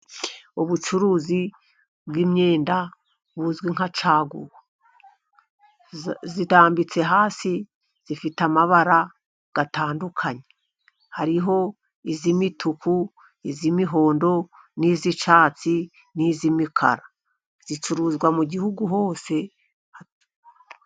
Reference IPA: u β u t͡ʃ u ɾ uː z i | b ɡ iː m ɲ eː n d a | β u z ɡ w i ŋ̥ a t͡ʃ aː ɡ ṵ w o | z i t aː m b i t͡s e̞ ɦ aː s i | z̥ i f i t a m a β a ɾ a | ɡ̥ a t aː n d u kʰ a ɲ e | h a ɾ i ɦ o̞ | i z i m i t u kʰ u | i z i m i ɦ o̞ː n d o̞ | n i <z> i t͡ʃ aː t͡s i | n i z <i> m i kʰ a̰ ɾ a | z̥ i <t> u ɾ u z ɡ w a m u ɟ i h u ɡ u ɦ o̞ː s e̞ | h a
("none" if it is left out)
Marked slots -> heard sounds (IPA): z, i, t͡ʃ

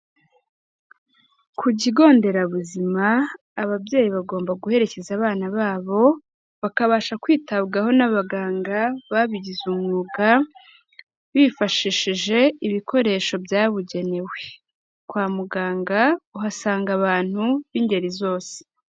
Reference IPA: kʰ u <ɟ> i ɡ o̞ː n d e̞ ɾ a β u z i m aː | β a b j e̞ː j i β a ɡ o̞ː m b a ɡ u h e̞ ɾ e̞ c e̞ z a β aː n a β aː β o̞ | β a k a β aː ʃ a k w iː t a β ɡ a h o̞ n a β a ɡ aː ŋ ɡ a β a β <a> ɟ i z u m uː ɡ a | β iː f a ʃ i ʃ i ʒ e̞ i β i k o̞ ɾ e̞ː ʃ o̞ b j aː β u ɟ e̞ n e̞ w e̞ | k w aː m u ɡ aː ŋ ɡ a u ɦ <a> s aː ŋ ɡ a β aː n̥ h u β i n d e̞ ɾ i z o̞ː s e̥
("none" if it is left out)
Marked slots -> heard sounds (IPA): ɟ, i, a

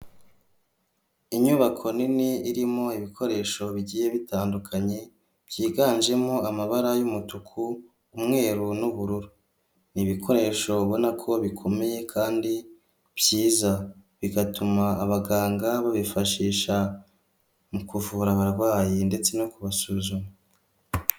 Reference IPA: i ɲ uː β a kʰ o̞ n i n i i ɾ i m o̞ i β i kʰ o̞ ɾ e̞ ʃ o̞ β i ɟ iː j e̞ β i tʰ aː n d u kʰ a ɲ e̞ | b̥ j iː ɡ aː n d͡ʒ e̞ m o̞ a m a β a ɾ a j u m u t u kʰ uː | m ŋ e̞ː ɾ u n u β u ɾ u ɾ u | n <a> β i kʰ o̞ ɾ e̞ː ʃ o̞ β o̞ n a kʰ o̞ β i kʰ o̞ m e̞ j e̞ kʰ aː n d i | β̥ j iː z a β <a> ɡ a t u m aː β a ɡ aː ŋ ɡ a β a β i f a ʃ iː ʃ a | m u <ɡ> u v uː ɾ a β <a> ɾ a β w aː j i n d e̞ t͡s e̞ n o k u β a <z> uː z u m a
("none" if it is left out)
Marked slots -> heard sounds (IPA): i, i, k, a, s

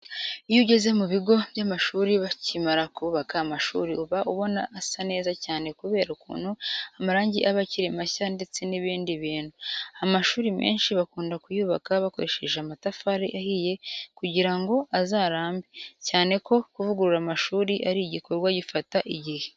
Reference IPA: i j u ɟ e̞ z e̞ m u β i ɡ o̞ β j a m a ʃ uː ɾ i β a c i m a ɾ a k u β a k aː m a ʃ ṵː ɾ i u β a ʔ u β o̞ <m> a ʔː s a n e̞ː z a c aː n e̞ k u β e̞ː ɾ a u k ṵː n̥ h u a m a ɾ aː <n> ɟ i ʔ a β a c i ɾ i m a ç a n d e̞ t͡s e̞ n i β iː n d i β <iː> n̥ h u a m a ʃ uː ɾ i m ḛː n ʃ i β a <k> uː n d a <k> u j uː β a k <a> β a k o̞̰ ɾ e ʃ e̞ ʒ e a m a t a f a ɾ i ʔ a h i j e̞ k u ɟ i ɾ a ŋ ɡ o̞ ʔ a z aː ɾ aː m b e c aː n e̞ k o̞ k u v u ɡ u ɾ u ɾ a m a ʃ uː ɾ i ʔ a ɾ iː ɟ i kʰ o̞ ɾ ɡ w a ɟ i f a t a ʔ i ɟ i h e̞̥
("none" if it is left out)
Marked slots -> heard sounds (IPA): n, ɲ, iː, k, k, a

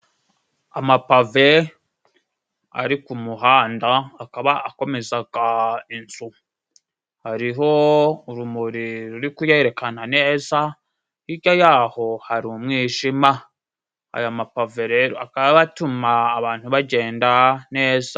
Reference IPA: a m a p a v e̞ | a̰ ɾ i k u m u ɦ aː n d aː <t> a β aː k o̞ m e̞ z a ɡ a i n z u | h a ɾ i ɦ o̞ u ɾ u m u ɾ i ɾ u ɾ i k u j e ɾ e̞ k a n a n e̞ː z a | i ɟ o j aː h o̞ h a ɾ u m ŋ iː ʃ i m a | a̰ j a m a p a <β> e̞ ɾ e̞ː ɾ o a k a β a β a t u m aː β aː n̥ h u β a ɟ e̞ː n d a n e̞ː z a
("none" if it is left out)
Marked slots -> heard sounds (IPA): k, v

